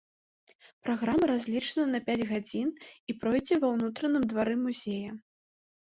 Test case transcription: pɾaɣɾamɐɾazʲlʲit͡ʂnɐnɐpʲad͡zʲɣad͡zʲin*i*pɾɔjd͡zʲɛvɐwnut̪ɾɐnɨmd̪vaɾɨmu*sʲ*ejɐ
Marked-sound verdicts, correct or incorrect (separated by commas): correct, incorrect